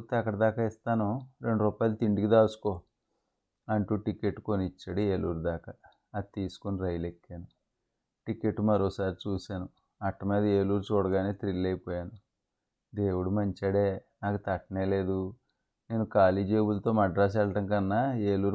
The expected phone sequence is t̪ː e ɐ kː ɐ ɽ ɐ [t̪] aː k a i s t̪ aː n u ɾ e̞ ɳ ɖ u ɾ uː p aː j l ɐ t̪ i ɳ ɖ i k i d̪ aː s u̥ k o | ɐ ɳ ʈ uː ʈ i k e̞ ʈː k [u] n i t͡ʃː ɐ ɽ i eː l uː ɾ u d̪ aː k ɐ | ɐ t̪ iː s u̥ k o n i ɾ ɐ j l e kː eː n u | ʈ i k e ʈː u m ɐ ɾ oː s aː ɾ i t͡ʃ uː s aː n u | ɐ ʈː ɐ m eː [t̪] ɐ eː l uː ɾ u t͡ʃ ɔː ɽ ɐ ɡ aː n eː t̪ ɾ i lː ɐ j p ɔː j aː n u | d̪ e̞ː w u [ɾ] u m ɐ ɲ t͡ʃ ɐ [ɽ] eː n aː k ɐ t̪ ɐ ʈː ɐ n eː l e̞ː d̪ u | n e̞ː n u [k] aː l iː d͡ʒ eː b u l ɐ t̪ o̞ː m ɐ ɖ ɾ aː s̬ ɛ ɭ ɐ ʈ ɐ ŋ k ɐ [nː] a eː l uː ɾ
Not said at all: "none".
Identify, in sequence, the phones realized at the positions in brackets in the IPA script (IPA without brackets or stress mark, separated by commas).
d̪, o, d̪, ɽ, ɽ, k, nː